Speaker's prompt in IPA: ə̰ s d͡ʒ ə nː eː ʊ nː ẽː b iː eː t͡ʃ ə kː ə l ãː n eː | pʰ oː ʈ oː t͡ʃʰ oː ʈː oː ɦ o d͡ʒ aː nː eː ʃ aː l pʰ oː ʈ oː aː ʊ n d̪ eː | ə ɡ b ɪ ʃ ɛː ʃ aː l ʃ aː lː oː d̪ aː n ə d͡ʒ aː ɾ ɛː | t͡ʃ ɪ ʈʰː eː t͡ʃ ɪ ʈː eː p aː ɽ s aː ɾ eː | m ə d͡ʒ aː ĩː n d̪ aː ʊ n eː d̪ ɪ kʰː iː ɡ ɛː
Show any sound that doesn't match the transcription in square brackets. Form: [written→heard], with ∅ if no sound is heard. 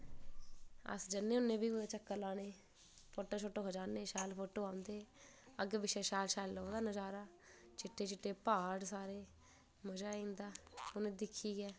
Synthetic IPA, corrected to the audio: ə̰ s d͡ʒ ə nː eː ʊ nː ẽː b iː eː t͡ʃ ə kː ə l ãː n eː | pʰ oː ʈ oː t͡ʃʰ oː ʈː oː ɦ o d͡ʒ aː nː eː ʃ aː l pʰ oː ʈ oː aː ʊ n d̪ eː | ə ɡ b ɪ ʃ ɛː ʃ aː l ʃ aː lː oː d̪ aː n ə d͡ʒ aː ɾ [ɛː→aː] | t͡ʃ ɪ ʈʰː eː t͡ʃ ɪ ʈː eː p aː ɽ s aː ɾ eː | m ə d͡ʒ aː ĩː n d̪ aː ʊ n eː d̪ ɪ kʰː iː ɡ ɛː